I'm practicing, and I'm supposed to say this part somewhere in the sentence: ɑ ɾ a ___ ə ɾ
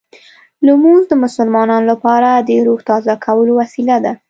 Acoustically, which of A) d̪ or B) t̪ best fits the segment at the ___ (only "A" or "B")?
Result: A